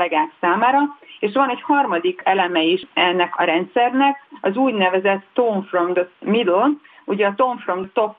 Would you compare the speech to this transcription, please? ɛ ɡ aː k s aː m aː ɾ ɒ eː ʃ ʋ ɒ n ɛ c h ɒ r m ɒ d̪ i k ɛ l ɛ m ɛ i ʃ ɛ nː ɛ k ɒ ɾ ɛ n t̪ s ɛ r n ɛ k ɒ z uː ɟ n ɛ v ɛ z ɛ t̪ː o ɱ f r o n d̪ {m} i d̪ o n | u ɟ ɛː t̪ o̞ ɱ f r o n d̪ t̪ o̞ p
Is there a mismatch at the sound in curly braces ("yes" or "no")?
no